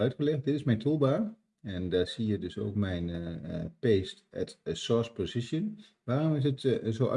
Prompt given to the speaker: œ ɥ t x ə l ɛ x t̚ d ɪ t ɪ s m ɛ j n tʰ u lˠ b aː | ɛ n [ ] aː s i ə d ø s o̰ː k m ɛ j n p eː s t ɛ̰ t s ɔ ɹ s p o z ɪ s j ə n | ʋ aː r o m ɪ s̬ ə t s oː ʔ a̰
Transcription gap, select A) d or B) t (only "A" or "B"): A